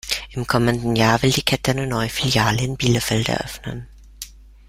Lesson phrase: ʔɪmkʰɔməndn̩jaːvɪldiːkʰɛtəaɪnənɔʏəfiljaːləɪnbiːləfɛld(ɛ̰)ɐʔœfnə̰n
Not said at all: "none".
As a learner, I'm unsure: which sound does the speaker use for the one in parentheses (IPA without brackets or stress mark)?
ɛ̰